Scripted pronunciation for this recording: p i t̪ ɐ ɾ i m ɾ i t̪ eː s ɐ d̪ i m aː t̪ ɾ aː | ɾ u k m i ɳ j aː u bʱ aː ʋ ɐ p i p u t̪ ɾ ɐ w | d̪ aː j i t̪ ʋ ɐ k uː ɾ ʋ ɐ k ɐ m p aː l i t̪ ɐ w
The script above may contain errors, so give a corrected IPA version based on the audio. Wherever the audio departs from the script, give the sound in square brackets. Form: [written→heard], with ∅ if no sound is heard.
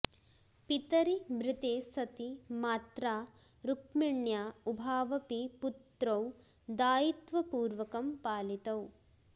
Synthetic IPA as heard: p i t̪ ɐ ɾ i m ɾ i t̪ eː s ɐ [d̪→t̪] i m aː t̪ ɾ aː | ɾ u k m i ɳ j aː u bʱ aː ʋ ɐ p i p u t̪ ɾ ɐ w | d̪ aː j i t̪ ʋ ɐ [k→p] uː ɾ ʋ ɐ k ɐ m p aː l i t̪ ɐ w

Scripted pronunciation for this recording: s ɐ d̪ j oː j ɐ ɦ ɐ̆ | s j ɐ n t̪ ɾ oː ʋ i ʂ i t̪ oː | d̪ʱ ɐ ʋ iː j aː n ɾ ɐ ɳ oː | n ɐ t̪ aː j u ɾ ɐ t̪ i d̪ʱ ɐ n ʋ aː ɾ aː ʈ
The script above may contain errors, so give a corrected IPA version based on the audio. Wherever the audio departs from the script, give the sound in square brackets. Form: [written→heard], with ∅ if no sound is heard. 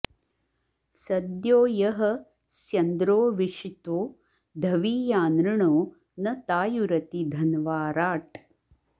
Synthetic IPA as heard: s ɐ d̪ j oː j ɐ ɦ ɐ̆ | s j ɐ n [t̪→d̪] ɾ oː ʋ i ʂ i t̪ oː | d̪ʱ ɐ ʋ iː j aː n ɾ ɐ ɳ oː | n ɐ t̪ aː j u ɾ ɐ t̪ i d̪ʱ ɐ n ʋ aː ɾ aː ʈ

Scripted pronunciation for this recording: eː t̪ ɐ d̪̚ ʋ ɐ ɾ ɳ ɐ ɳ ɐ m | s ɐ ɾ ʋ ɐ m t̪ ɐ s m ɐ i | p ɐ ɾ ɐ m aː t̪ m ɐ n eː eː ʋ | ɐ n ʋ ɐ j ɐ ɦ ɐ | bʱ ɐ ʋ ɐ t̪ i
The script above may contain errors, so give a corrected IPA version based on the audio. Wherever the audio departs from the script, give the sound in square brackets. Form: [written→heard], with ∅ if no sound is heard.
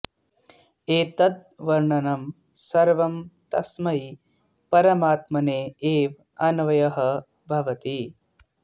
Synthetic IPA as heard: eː t̪ ɐ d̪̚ ʋ ɐ ɾ ɳ ɐ [ɳ→n] ɐ m | s ɐ ɾ ʋ ɐ m t̪ ɐ s m ɐ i | p ɐ ɾ ɐ m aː t̪ m ɐ n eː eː ʋ | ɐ n ʋ ɐ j ɐ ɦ ɐ | bʱ ɐ ʋ ɐ t̪ i

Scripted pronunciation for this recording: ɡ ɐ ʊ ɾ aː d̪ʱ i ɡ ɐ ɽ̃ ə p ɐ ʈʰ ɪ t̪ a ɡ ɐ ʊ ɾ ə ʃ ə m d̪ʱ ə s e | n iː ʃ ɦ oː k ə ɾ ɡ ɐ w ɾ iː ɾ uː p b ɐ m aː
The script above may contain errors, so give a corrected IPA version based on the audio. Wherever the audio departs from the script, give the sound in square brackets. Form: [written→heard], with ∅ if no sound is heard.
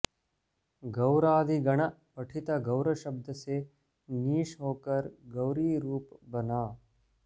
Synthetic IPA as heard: ɡ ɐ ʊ ɾ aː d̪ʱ i ɡ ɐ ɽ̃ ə p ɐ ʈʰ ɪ t̪ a ɡ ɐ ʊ ɾ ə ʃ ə [m→b] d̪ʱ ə s e | n iː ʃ ɦ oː k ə ɾ ɡ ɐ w ɾ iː ɾ uː p b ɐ [m→n] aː

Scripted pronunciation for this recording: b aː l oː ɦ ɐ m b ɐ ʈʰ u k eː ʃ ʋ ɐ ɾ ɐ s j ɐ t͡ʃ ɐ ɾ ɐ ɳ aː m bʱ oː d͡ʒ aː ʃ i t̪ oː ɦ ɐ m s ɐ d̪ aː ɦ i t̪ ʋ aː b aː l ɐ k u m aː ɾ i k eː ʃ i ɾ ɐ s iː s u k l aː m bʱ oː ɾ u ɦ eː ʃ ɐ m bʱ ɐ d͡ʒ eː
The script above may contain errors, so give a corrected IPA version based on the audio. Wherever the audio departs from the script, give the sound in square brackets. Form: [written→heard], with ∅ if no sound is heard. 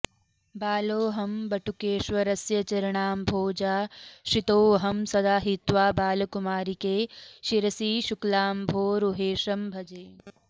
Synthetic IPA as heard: b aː l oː ɦ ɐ m b ɐ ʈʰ u k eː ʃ ʋ ɐ ɾ ɐ s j ɐ t͡ʃ ɐ ɾ ɐ ɳ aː m bʱ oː d͡ʒ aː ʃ i t̪ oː ɦ ɐ m s ɐ d̪ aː ɦ i t̪ ʋ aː b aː l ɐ k u m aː ɾ i k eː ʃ i ɾ ɐ s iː [s→ʃ] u k l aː m bʱ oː ɾ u ɦ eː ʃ ɐ m bʱ ɐ d͡ʒ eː

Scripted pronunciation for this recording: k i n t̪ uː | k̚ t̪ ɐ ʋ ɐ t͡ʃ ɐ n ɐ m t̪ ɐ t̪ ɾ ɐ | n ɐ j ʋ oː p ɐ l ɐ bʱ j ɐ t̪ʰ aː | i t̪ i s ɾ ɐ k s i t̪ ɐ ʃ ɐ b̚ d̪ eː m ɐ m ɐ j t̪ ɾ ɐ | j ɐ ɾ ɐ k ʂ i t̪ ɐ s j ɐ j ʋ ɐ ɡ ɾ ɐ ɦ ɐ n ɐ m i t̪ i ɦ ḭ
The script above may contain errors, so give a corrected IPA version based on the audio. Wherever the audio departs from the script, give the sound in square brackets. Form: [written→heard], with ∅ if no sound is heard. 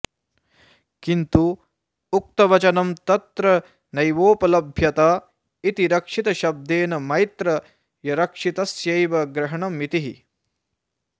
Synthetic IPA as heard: k i n t̪ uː | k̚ t̪ ɐ ʋ ɐ t͡ʃ ɐ n ɐ m t̪ ɐ t̪ ɾ ɐ | n ɐ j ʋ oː p ɐ l ɐ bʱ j ɐ [t̪ʰ→t̪] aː | i t̪ i [s→∅] ɾ ɐ k [s→ʂ] i t̪ ɐ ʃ ɐ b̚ d̪ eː [m→n] ɐ m ɐ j t̪ ɾ ɐ | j ɐ ɾ ɐ k ʂ i t̪ ɐ s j ɐ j ʋ ɐ ɡ ɾ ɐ ɦ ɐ [n→ɳ] ɐ m i t̪ i ɦ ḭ

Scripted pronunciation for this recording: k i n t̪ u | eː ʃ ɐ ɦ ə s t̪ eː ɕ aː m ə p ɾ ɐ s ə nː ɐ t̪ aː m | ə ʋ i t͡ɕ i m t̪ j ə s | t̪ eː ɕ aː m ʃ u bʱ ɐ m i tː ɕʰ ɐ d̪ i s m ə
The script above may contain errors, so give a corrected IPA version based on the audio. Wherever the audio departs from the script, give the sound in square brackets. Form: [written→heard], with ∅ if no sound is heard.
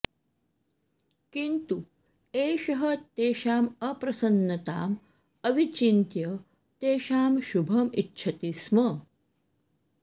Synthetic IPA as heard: k i n t̪ u | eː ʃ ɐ ɦ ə [s→∅] t̪ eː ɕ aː m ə p ɾ ɐ s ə nː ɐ t̪ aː m | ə ʋ i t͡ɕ i [m→n] t̪ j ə [s→∅] | t̪ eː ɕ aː m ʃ u bʱ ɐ m i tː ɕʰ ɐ [d̪→t̪] i s m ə

